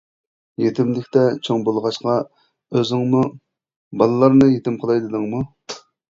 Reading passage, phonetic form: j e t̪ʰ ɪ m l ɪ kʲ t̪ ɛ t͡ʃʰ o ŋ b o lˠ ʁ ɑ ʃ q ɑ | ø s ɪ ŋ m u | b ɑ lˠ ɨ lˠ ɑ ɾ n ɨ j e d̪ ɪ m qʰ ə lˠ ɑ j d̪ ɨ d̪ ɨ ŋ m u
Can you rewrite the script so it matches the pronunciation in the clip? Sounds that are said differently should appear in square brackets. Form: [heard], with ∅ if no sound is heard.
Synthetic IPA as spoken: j e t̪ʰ ɪ m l ɪ kʲ t̪ ɛ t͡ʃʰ o ŋ b o lˠ ʁ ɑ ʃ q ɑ | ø [z] ɪ ŋ m u | b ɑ lˠ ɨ lˠ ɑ ɾ n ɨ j e [t̪] ɪ m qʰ ə lˠ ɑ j d̪ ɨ d̪ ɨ ŋ m u